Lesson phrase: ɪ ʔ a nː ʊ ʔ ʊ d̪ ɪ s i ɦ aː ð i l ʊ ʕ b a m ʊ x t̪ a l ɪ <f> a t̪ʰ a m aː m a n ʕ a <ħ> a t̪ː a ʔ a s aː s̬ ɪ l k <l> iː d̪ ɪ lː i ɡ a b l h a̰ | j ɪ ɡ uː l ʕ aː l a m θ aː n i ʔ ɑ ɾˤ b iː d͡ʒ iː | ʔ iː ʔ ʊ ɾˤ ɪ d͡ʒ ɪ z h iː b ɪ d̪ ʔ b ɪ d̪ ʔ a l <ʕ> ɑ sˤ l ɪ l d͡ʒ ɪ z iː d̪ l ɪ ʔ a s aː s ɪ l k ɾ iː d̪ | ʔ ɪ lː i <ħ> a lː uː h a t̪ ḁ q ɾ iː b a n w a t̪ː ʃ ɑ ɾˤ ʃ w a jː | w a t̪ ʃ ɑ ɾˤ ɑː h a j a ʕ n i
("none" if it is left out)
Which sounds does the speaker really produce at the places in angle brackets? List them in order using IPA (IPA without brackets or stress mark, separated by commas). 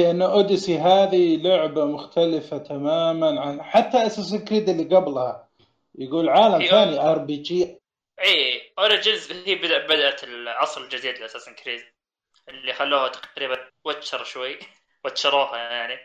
f, ħ, ɾ, ʕ, x